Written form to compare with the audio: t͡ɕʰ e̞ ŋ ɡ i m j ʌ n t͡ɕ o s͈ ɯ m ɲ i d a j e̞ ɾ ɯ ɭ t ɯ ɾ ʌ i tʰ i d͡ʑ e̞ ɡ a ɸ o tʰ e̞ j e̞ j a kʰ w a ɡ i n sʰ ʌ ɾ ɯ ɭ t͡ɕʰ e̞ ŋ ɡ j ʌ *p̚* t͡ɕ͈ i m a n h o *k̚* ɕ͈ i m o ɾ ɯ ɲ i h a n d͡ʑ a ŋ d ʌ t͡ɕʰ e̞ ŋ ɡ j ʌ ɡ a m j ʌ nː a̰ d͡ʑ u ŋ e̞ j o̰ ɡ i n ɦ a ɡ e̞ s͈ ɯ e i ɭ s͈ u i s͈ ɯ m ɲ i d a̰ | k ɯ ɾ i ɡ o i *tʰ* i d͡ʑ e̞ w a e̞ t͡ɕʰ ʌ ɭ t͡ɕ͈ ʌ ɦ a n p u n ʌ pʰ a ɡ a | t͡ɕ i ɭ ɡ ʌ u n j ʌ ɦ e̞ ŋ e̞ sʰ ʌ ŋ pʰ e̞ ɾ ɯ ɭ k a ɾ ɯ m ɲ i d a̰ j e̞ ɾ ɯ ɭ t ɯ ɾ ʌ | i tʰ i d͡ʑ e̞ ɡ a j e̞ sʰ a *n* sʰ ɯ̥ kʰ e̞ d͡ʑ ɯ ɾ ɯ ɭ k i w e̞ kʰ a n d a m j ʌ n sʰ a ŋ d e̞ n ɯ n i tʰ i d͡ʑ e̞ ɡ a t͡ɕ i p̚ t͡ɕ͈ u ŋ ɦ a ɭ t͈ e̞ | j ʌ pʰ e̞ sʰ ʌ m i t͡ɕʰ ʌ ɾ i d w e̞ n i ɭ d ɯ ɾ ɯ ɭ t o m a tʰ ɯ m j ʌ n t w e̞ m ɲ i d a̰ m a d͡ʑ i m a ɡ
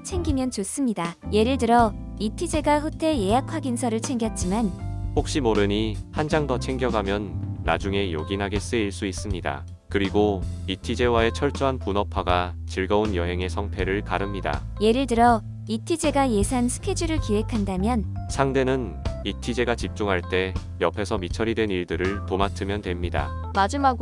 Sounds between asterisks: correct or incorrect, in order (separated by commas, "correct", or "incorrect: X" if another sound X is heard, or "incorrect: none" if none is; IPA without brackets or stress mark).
incorrect: t̚, correct, correct, correct